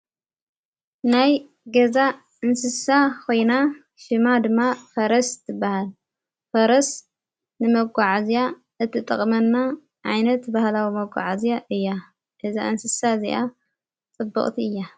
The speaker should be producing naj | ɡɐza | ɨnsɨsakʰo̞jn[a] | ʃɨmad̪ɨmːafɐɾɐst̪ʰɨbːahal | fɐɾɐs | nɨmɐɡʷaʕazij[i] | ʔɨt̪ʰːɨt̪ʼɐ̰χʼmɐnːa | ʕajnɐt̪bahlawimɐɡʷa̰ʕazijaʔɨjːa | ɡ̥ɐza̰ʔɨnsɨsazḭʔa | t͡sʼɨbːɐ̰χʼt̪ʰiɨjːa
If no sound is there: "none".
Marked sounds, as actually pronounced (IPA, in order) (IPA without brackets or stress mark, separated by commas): a, a